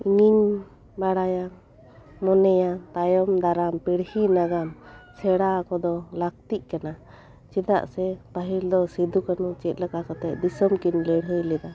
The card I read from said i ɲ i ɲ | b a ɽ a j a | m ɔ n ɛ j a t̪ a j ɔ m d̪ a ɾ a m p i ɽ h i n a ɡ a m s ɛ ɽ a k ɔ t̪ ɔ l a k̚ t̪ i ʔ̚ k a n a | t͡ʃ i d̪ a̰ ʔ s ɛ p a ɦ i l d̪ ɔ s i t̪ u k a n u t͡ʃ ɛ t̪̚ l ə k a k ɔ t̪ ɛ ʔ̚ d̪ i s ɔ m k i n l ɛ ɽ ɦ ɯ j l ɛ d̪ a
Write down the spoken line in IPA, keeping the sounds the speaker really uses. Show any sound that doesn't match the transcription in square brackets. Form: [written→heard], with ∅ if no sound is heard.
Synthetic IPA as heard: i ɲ i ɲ | b a ɽ a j a | m ɔ n ɛ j a t̪ a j ɔ m d̪ a ɾ a m p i ɽ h i n a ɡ a m s ɛ ɽ a k ɔ [t̪→d̪] ɔ l a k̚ t̪ i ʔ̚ k a n a | t͡ʃ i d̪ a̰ ʔ s ɛ p a ɦ i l d̪ ɔ s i [t̪→d̪] u k a n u t͡ʃ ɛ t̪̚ l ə k a k ɔ t̪ ɛ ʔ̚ d̪ i s ɔ m k i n l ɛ ɽ ɦ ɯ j l ɛ d̪ a